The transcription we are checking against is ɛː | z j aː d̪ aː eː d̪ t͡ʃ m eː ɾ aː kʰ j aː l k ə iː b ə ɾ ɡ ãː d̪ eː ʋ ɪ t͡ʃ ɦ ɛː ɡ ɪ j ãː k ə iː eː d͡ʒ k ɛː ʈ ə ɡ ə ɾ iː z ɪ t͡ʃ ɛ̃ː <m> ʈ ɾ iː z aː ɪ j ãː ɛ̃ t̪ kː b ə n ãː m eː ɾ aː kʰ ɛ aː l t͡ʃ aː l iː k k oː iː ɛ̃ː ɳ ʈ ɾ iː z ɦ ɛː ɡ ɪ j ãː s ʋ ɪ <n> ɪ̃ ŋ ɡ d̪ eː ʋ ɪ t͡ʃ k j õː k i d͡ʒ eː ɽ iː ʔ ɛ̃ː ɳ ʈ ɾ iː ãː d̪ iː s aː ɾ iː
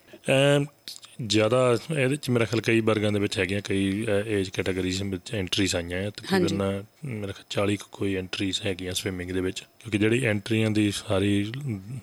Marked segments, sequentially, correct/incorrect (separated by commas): incorrect, incorrect